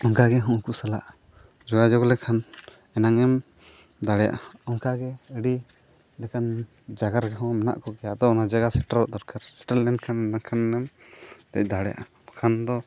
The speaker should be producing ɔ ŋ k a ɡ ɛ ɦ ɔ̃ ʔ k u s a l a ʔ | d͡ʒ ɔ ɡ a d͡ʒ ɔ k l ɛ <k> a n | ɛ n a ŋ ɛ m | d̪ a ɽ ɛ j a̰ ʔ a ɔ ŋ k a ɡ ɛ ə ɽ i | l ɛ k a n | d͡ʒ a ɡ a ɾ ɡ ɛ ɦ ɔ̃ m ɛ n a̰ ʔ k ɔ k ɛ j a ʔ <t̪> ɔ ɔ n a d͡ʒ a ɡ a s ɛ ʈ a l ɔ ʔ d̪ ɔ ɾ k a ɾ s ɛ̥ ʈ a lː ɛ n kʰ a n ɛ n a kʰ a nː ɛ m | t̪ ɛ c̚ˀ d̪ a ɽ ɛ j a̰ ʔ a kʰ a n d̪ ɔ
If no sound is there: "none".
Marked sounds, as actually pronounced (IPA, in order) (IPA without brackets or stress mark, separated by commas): kʰ, d̪